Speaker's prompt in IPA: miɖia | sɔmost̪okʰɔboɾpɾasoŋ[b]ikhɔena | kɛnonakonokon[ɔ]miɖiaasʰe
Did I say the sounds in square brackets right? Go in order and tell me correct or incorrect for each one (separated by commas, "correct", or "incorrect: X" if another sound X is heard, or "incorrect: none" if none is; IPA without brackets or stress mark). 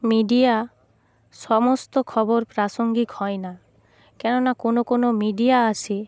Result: incorrect: ɡ, incorrect: o